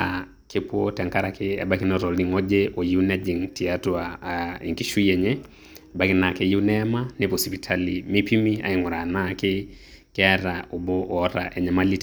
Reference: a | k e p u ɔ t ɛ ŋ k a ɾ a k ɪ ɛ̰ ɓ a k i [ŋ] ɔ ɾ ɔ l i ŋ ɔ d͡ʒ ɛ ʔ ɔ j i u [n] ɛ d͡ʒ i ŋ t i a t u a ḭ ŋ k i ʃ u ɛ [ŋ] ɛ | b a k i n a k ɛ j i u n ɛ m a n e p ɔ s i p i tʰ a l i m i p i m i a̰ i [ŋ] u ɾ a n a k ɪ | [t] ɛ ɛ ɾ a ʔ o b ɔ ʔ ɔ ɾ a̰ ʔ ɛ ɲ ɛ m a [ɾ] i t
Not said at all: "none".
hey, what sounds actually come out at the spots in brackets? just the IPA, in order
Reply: n, n, ɲ, ŋ, k, l

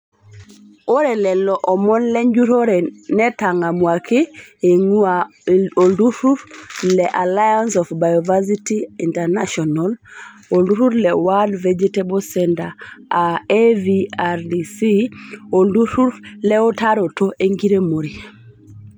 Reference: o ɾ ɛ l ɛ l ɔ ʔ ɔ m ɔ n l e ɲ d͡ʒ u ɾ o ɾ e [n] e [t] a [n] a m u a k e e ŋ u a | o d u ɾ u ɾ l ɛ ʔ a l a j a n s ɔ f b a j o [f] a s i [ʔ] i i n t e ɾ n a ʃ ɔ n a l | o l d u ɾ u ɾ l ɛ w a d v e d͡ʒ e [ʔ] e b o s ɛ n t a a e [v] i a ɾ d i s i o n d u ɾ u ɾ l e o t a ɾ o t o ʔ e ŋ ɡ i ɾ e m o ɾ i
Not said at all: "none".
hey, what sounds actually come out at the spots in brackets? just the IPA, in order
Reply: n, t, ŋ, v, t, t, v

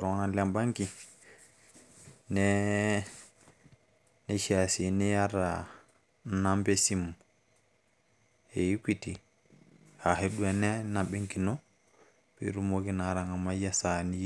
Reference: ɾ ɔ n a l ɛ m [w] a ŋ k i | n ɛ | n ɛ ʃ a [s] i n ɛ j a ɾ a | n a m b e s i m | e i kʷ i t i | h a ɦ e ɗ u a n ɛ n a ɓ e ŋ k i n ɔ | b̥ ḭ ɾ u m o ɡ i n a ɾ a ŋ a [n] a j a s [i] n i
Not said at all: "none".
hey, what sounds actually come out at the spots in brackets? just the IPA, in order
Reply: b, s, m, a

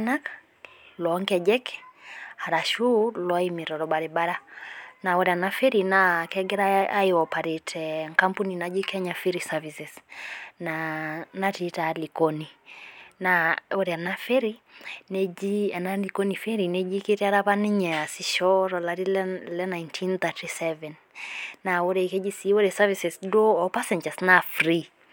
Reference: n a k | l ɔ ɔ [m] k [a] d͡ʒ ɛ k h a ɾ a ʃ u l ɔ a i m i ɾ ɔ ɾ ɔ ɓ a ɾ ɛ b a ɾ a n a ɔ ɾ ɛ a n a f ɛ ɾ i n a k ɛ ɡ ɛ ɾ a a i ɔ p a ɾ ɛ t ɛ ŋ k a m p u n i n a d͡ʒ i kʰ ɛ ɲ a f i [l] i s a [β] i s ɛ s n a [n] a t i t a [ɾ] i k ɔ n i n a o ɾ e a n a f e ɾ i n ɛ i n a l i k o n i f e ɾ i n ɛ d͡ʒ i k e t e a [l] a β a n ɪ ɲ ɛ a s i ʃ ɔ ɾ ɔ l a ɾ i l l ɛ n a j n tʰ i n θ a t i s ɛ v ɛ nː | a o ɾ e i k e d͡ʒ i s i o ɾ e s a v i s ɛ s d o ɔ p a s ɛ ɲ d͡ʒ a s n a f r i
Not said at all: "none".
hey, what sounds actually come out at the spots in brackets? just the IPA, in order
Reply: ŋ, ɛ, ɾ, v, n, l, ɾ

